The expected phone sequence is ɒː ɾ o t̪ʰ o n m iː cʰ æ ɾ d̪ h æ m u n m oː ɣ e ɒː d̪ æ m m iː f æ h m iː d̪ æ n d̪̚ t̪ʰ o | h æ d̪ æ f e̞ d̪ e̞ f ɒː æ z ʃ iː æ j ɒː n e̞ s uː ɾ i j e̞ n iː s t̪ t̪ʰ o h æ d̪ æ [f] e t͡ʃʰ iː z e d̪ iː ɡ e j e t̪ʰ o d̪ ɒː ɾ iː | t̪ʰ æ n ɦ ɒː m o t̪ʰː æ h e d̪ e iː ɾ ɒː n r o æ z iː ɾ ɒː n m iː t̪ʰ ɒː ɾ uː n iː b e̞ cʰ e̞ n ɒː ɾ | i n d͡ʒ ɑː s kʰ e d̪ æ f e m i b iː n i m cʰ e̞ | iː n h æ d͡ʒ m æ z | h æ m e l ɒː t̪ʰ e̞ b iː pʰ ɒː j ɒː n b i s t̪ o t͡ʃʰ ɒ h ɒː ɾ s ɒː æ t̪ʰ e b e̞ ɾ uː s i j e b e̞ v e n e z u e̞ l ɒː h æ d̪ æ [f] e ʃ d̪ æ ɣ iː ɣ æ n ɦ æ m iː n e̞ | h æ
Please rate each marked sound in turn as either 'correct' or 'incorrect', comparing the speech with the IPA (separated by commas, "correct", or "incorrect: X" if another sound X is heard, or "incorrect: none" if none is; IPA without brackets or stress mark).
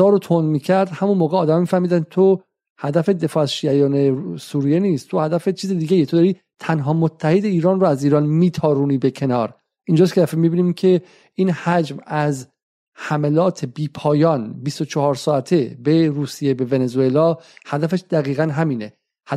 correct, correct